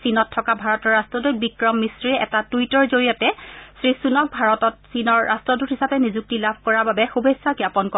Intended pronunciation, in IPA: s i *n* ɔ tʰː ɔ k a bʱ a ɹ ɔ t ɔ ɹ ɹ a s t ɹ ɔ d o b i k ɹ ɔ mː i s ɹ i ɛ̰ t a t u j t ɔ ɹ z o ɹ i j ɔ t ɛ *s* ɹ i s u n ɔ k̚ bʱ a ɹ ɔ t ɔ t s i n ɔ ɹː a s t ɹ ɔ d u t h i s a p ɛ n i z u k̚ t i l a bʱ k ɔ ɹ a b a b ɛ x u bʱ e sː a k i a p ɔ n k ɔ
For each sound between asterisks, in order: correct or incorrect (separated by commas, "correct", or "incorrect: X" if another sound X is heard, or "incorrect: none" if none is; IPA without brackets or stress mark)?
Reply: correct, correct